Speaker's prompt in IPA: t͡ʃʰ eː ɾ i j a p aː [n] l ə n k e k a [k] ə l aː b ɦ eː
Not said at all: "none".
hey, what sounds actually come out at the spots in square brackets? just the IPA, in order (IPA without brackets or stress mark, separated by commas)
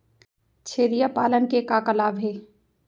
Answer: none, k